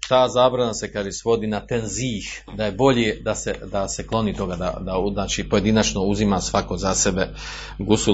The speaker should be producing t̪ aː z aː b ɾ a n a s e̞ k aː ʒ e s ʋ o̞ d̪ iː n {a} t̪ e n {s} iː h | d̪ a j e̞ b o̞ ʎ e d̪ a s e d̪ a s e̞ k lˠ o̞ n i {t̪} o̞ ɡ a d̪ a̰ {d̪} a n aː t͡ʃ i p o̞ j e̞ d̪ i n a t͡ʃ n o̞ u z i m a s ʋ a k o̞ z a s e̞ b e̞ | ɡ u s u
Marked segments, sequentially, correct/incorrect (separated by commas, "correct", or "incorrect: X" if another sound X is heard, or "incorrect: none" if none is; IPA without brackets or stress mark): correct, incorrect: z, correct, correct